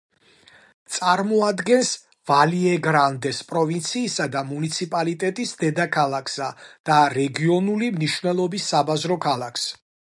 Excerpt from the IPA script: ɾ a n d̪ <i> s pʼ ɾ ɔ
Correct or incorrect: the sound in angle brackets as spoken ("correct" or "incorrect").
incorrect